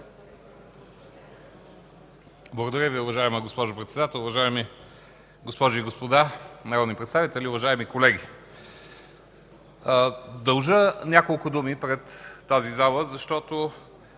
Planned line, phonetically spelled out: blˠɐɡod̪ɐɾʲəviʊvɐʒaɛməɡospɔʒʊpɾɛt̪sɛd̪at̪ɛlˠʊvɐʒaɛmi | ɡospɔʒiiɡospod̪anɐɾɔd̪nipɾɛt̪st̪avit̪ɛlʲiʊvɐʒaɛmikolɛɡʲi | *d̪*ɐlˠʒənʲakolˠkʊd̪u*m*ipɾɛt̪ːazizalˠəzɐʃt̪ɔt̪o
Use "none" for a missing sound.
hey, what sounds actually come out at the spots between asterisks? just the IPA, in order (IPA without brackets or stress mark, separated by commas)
d̪, m